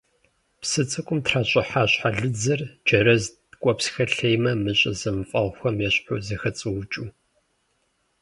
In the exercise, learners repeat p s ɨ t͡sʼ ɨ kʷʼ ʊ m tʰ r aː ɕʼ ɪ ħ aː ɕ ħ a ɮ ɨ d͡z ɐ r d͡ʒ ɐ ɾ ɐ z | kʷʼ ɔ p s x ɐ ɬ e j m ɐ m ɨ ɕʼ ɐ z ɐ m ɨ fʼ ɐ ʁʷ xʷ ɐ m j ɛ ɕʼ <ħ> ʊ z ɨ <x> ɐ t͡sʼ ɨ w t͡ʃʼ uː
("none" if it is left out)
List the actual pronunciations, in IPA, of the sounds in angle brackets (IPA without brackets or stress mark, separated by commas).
ħ, x